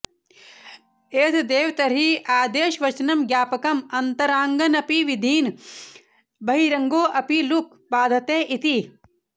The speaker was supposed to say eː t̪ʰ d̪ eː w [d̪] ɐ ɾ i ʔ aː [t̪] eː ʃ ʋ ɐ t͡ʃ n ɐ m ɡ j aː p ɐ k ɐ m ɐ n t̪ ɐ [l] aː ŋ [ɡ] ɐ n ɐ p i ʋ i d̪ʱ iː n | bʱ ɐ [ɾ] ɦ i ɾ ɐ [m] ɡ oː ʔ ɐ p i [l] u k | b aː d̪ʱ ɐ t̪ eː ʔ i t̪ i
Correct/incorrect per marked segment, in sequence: incorrect: t̪, incorrect: d̪, incorrect: ɾ, correct, incorrect: none, incorrect: ŋ, correct

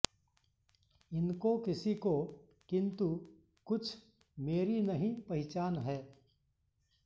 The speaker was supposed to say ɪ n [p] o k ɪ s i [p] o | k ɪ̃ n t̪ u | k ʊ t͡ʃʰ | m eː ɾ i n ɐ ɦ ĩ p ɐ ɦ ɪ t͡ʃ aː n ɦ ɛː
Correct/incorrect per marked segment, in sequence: incorrect: k, incorrect: k

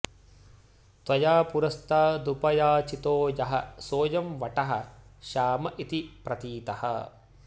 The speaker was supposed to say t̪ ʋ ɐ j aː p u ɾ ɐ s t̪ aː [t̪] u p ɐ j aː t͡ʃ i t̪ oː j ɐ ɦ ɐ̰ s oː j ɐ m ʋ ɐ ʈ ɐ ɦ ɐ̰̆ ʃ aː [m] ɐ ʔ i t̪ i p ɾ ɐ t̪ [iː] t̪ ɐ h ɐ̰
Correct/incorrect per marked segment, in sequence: incorrect: d̪, correct, correct

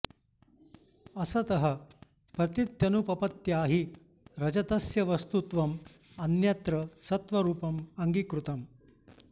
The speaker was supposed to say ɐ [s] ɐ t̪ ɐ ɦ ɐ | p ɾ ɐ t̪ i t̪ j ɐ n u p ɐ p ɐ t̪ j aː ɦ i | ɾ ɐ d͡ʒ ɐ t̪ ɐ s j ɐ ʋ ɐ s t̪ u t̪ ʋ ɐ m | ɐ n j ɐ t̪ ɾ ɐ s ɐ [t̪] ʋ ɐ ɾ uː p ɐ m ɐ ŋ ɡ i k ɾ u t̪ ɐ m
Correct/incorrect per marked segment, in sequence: correct, correct

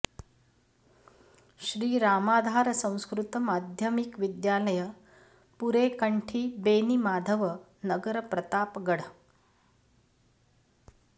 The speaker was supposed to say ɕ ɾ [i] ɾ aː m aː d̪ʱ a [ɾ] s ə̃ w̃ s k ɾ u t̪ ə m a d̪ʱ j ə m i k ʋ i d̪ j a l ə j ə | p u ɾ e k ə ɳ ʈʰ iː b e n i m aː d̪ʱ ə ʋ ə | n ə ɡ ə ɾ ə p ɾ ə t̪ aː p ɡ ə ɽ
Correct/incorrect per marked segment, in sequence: incorrect: iː, correct

